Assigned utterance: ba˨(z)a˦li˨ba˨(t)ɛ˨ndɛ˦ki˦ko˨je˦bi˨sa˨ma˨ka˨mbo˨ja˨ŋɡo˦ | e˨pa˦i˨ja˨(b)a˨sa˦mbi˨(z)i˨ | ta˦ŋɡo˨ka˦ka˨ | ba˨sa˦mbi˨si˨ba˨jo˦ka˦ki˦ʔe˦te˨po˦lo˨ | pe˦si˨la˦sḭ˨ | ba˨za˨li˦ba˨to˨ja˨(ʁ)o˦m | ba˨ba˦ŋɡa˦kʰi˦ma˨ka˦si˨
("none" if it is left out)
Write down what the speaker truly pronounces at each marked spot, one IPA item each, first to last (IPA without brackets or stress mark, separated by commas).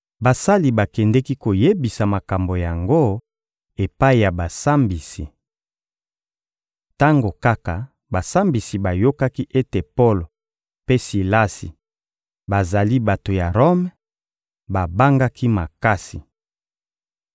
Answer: s, k, b, s, ʁ